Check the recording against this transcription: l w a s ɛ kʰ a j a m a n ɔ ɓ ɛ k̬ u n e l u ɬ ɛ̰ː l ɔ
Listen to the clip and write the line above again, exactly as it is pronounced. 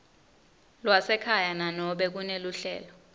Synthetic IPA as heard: l w a s ɛ kʰ a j a n a n ɔ ɓ ɛ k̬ u n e l u ɬ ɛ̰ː l ɔ